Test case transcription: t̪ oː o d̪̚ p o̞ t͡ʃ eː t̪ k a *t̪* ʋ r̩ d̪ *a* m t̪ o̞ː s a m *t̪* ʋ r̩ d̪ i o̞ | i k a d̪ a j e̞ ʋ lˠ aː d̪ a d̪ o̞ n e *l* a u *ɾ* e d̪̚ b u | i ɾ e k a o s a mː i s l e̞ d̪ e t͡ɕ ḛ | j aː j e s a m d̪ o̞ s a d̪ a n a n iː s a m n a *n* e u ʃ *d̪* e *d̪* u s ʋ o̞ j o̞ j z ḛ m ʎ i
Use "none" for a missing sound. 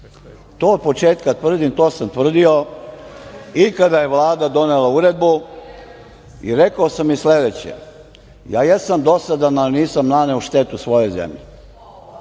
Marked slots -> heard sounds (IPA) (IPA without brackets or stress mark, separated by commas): t̪, i, t̪, l, ɾ, n, t̪, t̪